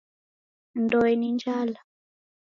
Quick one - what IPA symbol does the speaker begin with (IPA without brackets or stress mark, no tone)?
n